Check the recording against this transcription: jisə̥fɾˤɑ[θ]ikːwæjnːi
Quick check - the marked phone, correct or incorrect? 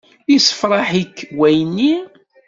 incorrect